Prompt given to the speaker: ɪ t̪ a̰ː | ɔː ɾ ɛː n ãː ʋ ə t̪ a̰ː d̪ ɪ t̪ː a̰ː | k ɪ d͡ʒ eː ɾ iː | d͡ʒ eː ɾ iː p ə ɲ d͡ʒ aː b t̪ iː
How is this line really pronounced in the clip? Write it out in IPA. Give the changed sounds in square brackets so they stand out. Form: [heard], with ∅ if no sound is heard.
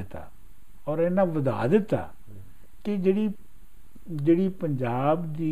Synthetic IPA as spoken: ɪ t̪ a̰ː | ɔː ɾ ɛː n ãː ʋ ə [d̪] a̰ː d̪ ɪ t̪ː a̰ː | k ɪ d͡ʒ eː [ɽ] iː | d͡ʒ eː [ɽ] iː p ə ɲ d͡ʒ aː b [d̪] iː